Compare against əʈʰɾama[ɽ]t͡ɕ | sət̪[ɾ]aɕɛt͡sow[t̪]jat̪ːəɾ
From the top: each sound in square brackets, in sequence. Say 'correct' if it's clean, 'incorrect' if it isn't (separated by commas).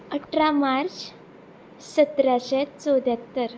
incorrect, correct, incorrect